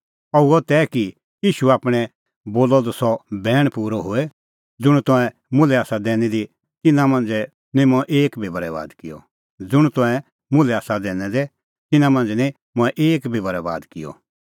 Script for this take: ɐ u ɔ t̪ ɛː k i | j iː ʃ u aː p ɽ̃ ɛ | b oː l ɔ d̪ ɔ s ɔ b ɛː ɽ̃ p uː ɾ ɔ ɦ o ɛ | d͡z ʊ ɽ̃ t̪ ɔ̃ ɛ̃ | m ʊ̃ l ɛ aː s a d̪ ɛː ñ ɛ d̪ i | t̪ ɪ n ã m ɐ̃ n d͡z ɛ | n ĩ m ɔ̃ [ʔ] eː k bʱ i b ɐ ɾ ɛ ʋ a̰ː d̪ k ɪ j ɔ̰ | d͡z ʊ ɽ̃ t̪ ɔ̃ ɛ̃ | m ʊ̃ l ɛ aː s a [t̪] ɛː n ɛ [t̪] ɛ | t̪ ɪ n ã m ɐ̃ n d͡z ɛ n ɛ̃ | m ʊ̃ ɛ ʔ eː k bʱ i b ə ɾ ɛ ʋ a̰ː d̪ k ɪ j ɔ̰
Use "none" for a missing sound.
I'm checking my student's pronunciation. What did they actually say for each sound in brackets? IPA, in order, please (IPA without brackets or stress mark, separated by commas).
ʔ, d̪, d̪